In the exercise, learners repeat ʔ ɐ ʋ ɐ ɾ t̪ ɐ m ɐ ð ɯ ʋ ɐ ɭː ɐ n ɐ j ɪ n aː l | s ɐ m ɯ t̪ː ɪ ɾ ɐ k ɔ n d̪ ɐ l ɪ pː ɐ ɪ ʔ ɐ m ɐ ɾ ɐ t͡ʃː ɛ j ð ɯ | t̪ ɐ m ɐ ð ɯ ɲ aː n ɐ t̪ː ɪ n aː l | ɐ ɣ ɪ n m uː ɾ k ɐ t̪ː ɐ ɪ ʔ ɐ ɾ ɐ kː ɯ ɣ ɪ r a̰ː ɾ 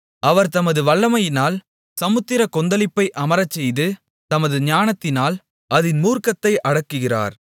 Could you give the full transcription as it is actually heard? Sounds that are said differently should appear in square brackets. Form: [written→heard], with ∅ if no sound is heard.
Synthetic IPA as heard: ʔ ɐ ʋ ɐ ɾ t̪ ɐ m ɐ ð ɯ ʋ ɐ ɭː ɐ [n→m] ɐ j ɪ n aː l | s ɐ m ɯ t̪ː ɪ ɾ ɐ k ɔ n d̪ ɐ l ɪ pː ɐ ɪ ʔ ɐ m ɐ ɾ ɐ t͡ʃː ɛ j ð ɯ | t̪ ɐ m ɐ ð ɯ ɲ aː n ɐ t̪ː ɪ n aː l | ɐ [ɣ→ð] ɪ n m uː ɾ k ɐ t̪ː ɐ ɪ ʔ ɐ [ɾ→ɽ] ɐ kː ɯ ɣ ɪ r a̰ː ɾ